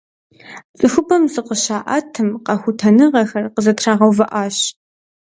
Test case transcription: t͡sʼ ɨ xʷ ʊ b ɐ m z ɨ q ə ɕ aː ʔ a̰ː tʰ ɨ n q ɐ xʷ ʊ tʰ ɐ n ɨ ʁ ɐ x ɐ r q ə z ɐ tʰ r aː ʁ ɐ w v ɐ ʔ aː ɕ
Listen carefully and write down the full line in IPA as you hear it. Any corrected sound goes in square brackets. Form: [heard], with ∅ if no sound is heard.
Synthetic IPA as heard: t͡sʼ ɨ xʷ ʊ b ɐ m z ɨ q ə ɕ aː ʔ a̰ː tʰ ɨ [m] q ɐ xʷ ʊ tʰ ɐ n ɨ ʁ ɐ x ɐ r q ə z ɐ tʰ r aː ʁ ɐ w v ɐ ʔ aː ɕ